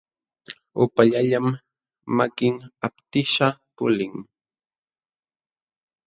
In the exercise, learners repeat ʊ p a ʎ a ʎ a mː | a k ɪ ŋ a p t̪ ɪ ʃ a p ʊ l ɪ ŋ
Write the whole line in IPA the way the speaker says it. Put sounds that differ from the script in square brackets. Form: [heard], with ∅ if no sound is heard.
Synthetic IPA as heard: ʊ p a ʎ a ʎ a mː | a k ɪ ŋ a p t̪ ɪ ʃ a p ʊ l ɪ ŋ